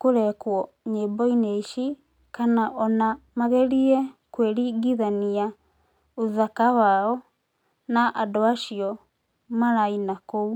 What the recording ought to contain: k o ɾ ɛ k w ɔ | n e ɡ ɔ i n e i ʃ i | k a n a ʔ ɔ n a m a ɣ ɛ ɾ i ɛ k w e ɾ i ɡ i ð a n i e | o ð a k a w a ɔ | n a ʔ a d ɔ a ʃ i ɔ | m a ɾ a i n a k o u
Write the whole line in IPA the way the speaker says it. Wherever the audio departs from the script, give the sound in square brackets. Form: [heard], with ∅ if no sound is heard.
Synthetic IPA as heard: k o ɾ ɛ k w ɔ | [ɲ] e [b] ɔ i n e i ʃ i | k a n a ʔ ɔ n a m a ɣ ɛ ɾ i ɛ k w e ɾ i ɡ i ð a n i [a] | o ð a k a w a ɔ | n a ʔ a d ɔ a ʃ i ɔ | m a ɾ a i n a k o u